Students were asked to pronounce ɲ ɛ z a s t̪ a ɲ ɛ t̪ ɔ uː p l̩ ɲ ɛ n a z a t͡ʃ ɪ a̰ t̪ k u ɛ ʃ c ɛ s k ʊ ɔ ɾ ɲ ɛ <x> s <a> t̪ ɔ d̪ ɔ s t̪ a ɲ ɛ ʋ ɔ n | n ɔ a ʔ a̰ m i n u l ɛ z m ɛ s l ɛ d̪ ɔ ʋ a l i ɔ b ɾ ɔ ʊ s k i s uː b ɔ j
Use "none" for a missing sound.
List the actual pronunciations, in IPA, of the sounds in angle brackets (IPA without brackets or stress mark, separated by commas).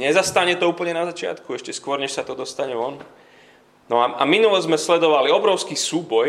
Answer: ʃ, a